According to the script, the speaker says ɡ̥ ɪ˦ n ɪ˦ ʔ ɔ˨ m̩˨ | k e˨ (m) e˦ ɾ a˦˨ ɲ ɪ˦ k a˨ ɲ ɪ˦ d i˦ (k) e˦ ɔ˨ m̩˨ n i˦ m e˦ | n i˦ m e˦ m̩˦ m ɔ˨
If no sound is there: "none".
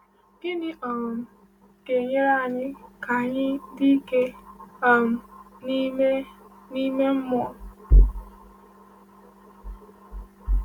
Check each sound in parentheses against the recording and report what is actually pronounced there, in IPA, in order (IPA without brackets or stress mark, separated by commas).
ɲ, k